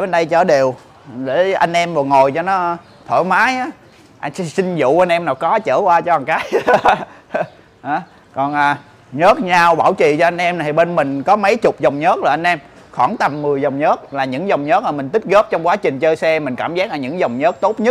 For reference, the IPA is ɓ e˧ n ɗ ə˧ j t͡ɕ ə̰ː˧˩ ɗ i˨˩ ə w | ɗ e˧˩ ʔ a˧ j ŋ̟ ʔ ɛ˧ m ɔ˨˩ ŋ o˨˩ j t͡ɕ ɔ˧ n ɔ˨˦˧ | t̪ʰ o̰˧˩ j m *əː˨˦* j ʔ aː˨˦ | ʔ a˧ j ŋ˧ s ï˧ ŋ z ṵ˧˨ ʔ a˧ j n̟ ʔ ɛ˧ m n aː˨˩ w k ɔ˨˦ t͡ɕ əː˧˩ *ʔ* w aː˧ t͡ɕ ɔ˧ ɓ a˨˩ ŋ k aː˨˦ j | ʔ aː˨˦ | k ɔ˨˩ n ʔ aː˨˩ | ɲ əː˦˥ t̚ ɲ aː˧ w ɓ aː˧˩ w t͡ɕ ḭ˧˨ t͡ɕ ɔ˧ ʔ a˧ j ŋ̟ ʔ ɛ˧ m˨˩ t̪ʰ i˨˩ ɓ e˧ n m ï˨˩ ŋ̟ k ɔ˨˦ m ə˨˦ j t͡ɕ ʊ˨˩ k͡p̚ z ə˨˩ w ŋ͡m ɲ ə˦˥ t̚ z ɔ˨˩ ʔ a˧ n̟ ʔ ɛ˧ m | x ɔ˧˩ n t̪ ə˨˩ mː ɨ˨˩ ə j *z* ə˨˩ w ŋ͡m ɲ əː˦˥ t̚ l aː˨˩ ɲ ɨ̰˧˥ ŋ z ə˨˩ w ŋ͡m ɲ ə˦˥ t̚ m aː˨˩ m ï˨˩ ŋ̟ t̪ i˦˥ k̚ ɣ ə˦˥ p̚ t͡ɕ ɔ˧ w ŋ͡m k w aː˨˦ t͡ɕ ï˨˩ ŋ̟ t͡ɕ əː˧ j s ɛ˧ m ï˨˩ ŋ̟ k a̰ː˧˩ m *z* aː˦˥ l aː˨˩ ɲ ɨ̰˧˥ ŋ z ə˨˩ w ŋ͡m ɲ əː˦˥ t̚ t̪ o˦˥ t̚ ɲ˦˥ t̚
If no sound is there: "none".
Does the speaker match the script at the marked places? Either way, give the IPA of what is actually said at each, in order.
aː˨˦, k, z, z

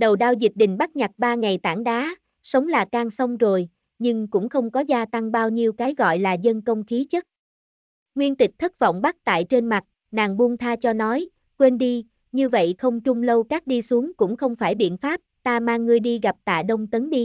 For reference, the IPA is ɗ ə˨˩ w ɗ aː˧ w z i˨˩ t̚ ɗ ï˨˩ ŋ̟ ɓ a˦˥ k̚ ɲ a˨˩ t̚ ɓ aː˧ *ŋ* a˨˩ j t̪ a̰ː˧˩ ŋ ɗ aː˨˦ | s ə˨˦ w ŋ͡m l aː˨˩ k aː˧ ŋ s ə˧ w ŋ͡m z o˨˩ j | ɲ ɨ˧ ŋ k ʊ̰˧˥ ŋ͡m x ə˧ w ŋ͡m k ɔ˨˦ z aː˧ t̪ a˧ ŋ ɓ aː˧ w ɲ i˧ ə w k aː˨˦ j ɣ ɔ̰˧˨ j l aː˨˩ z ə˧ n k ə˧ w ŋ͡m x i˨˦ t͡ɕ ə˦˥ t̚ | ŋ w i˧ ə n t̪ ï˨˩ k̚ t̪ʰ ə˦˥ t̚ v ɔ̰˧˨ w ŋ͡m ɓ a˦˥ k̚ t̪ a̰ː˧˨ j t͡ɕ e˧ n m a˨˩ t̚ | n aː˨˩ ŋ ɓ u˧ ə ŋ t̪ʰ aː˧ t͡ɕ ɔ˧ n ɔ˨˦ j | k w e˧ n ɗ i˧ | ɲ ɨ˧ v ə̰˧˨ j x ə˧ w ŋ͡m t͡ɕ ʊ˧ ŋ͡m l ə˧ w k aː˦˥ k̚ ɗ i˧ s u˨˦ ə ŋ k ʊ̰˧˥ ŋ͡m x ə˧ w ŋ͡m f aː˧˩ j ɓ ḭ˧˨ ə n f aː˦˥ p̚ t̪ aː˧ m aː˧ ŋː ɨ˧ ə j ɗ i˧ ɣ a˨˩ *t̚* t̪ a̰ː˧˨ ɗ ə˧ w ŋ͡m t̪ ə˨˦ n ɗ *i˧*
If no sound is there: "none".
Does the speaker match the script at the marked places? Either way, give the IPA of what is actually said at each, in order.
ŋ, p̚, i˧

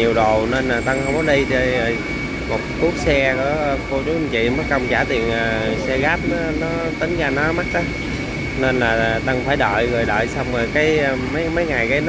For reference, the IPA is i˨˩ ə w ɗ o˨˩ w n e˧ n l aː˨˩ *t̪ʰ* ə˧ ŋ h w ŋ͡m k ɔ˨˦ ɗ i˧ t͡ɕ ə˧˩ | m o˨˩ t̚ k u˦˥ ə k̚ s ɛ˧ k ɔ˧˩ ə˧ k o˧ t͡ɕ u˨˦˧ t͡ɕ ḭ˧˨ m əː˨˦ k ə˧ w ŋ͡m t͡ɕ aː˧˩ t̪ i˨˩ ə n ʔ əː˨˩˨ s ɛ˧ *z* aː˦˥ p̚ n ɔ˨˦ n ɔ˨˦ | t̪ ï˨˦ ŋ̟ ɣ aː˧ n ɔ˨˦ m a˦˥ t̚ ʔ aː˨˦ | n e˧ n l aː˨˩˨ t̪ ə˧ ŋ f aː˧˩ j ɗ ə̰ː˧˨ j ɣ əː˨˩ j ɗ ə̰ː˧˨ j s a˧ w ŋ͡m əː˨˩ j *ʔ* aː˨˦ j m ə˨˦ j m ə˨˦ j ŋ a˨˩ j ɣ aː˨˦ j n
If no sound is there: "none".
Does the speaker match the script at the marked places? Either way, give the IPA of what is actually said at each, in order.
t̪, ɣ, k

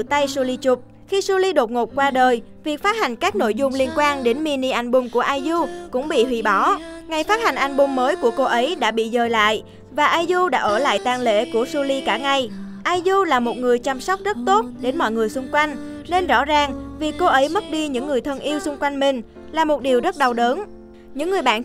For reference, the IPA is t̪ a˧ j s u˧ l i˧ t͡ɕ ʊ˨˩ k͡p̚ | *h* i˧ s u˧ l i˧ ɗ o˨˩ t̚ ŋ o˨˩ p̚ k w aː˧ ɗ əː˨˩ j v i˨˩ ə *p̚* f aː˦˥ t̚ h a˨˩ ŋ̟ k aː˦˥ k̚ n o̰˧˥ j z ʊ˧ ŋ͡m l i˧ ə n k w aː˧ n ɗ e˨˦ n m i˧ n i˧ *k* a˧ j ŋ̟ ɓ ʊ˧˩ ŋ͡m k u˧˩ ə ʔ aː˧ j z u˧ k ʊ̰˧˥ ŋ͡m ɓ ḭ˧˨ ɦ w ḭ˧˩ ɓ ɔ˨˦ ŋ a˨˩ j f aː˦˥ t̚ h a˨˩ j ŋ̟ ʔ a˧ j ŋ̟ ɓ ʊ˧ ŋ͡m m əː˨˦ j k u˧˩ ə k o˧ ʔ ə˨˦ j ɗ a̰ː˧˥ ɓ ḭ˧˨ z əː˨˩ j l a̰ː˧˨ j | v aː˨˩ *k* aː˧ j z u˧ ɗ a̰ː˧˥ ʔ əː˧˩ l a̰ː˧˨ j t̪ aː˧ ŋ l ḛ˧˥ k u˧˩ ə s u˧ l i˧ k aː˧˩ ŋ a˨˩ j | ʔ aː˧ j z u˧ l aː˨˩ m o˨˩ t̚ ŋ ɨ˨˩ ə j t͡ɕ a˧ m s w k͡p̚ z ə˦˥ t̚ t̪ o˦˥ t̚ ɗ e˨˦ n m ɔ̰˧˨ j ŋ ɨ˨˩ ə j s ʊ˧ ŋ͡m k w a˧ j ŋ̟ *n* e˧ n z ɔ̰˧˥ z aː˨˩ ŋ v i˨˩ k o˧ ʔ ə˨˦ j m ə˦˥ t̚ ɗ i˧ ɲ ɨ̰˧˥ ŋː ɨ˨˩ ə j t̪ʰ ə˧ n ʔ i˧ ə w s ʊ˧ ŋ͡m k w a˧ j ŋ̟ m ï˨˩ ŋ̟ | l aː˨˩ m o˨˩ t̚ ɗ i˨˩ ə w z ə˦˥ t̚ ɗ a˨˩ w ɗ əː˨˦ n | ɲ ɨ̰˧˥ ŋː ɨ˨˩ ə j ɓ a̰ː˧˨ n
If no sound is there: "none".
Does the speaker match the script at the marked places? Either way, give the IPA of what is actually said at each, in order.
x, k̚, ʔ, ʔ, n

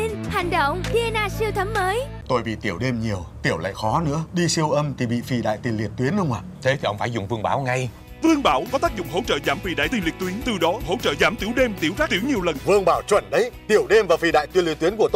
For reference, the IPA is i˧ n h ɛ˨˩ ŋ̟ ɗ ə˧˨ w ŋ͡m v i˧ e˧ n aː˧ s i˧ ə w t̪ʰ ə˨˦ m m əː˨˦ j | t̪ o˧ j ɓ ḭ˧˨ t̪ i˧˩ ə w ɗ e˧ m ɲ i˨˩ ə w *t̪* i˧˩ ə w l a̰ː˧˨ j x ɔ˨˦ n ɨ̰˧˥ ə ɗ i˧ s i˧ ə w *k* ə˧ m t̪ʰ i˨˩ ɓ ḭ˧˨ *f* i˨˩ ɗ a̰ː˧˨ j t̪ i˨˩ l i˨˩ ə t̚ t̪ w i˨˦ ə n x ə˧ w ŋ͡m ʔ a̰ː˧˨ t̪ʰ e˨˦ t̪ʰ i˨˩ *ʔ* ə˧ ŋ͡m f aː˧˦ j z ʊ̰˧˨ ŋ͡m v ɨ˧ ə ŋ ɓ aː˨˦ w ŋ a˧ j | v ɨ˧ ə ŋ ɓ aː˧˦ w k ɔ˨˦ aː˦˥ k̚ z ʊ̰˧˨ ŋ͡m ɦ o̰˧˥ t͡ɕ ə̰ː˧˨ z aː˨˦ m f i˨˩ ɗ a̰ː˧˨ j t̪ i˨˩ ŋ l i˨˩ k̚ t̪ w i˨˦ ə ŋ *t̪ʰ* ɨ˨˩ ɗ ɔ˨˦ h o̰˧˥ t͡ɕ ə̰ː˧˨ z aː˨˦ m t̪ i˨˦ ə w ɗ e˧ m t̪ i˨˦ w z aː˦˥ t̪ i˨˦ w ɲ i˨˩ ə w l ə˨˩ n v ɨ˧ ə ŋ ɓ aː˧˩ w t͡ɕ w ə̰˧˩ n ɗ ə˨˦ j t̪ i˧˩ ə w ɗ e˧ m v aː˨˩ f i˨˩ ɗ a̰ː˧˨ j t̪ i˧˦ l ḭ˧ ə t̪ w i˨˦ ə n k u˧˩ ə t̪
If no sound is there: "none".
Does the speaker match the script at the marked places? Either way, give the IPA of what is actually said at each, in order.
t̪, ʔ, f, ʔ, t̪

